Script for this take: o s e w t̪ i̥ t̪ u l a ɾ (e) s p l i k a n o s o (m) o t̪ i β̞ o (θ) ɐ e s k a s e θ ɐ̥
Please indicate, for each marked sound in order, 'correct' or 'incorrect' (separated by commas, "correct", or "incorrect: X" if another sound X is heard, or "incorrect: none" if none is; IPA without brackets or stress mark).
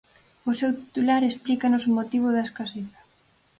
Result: correct, correct, incorrect: ð